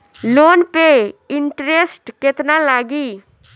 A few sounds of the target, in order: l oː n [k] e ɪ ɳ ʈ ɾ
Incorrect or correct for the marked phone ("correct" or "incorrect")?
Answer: incorrect